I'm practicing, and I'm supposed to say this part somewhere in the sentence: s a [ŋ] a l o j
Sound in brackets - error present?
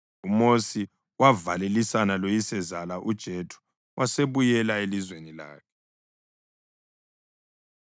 yes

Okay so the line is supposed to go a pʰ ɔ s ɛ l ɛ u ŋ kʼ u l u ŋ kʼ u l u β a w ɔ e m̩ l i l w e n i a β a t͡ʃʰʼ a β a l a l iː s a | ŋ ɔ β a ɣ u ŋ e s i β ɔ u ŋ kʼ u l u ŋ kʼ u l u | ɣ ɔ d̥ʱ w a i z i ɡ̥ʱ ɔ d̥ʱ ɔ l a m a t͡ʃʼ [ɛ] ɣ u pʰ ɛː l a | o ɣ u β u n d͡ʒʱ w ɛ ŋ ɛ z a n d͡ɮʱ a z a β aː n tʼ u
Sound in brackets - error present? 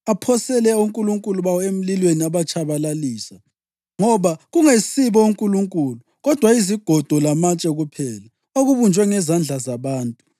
no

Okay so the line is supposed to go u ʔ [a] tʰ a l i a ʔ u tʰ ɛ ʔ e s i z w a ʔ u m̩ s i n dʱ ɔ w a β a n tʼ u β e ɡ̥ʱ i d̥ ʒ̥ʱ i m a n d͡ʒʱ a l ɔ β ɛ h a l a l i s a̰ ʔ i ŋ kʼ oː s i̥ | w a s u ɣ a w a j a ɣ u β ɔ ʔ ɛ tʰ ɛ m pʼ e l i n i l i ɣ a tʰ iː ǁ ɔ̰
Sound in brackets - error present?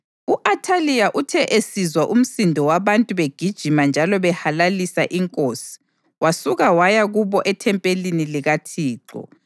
no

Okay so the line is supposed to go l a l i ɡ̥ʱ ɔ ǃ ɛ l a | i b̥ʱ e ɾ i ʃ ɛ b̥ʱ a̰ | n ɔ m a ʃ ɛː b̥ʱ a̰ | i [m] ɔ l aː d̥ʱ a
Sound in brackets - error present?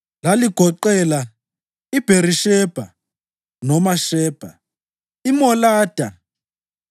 no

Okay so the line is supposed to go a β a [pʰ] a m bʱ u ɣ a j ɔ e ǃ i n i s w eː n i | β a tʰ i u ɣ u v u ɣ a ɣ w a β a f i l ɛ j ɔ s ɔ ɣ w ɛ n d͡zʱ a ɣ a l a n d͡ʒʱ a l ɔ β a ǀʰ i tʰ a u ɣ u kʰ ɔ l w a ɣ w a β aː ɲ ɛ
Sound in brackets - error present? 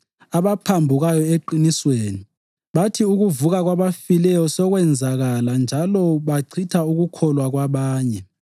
no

